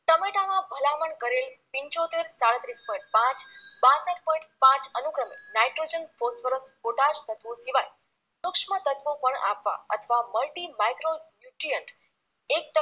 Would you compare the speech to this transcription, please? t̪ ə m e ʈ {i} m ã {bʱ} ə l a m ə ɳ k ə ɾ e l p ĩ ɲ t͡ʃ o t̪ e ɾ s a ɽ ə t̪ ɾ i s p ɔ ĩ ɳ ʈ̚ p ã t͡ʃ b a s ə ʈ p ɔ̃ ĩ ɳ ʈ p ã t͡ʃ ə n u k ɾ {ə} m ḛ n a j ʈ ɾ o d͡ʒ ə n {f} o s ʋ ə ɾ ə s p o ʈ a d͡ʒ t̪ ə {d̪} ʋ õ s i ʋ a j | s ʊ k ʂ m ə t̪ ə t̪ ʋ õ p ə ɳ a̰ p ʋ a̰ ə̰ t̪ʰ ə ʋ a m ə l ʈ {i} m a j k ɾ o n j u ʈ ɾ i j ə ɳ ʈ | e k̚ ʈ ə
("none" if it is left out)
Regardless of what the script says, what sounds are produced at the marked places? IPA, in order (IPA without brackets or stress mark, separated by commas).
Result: a, bʱ, ə, f, t̪, i